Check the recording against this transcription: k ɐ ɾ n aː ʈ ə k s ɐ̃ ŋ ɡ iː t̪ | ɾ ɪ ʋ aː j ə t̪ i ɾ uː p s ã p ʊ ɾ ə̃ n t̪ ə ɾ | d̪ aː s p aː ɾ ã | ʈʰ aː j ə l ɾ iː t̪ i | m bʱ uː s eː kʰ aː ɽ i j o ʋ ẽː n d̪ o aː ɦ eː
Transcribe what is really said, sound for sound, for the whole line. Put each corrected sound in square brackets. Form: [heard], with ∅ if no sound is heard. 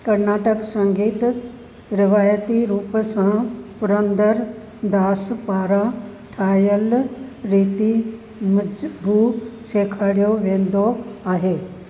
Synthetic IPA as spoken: k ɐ ɾ n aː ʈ ə k s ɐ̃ ŋ ɡ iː t̪ | ɾ ɪ ʋ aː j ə t̪ i ɾ uː p s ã p ʊ ɾ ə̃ n [d̪] ə ɾ | d̪ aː s p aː ɾ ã | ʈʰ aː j ə l ɾ iː t̪ i | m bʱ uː s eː kʰ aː ɽ i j o ʋ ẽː n d̪ o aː ɦ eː